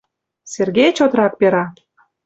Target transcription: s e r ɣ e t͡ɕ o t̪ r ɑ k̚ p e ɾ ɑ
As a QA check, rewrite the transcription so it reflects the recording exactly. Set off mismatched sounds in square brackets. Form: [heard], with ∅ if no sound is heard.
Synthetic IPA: s e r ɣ e t͡ɕ o t̪ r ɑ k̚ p e ɾ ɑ